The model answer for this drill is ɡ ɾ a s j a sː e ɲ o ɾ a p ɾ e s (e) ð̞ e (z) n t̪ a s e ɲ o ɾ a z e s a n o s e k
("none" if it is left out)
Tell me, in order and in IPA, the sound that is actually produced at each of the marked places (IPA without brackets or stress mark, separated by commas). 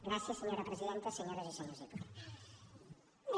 i, none